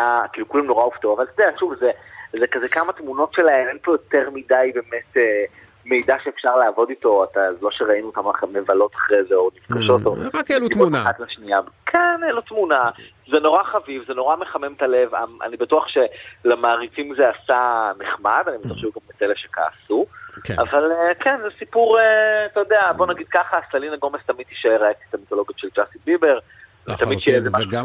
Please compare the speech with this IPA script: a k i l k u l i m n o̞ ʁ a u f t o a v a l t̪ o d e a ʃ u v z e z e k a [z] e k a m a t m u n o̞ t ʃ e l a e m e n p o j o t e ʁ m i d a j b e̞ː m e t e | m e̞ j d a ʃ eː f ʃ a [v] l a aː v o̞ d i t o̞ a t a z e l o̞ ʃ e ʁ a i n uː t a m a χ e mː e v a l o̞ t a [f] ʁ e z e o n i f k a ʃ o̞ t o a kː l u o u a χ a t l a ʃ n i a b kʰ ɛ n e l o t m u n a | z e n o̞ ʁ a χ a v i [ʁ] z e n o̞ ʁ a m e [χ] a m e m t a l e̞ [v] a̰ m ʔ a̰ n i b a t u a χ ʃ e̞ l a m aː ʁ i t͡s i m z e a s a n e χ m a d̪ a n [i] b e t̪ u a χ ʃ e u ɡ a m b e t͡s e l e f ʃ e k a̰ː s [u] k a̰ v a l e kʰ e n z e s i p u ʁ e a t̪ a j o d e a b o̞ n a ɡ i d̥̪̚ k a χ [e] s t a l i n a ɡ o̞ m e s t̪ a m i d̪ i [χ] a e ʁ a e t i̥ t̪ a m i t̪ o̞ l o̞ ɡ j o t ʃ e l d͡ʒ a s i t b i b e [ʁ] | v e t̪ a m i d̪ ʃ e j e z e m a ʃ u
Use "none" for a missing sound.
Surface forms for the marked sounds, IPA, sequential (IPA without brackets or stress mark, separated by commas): z, ʁ, χ, v, χ, v, i, u, a, ʃ, ʁ